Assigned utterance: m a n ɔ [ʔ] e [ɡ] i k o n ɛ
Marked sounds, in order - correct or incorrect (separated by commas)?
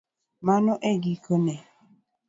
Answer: correct, correct